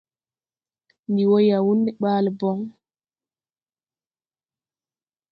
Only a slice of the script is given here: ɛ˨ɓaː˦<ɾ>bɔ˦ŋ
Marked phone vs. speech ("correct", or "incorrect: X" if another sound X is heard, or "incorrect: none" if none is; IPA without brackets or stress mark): incorrect: l